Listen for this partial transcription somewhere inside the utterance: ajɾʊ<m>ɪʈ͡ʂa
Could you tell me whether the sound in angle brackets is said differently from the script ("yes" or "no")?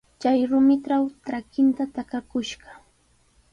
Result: no